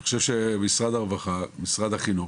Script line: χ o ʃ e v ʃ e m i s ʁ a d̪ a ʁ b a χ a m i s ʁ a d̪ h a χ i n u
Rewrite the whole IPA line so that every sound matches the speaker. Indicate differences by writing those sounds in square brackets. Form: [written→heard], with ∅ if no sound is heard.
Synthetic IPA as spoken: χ o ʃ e v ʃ e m i s ʁ a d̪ a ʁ [b→v] a χ a m i s ʁ a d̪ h a χ i n u